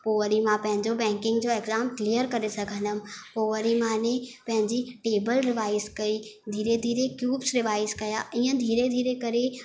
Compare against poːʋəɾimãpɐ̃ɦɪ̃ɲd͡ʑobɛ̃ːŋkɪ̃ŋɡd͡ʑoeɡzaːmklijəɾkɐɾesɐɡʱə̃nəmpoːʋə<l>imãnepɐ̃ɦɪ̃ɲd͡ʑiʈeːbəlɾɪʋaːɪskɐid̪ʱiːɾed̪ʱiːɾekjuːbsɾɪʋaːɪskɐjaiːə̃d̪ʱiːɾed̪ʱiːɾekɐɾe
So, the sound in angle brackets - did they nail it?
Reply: no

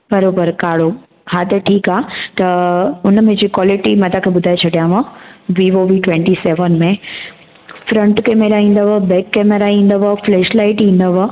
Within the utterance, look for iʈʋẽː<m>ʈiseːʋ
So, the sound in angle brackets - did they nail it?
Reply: no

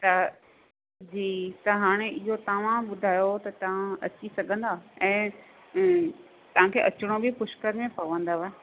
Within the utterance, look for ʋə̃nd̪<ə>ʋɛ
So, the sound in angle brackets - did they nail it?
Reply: no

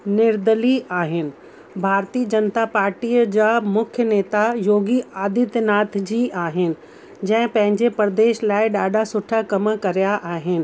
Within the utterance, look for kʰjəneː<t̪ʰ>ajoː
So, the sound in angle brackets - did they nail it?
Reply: no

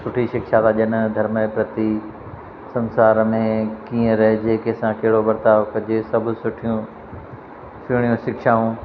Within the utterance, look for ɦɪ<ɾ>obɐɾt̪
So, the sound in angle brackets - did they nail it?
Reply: no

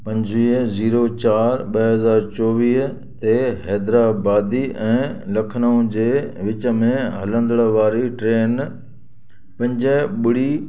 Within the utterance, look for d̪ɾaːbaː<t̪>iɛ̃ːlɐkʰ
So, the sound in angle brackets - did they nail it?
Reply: no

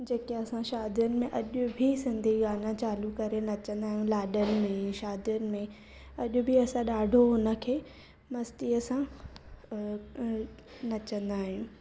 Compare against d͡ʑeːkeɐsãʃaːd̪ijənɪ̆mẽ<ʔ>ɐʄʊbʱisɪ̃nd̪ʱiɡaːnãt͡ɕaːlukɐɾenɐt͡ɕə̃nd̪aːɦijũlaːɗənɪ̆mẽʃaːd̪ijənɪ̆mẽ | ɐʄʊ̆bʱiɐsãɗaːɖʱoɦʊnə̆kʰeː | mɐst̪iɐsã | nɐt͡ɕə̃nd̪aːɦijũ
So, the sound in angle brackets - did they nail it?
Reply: yes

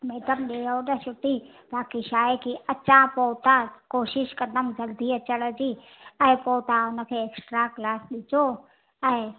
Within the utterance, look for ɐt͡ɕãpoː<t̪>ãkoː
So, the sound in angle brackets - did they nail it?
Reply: yes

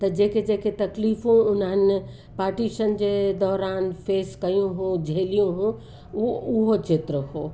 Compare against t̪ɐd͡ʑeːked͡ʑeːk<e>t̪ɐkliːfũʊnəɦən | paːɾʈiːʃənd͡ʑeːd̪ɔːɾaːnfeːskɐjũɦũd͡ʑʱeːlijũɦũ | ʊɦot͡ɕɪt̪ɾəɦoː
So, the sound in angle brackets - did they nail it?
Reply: yes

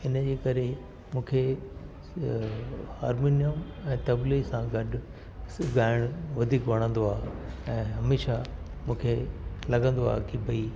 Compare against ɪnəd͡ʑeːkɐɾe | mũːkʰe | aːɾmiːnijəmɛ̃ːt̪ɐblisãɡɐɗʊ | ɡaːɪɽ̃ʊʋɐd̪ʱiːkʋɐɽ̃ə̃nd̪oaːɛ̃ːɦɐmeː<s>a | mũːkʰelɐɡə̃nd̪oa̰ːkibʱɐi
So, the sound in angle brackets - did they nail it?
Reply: no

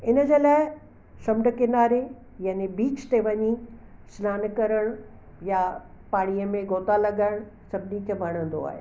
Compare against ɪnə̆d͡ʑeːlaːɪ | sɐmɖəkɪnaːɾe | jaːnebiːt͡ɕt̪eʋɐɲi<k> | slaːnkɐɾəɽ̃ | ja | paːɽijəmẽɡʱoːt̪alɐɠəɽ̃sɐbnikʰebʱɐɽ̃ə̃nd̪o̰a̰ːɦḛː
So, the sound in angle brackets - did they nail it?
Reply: no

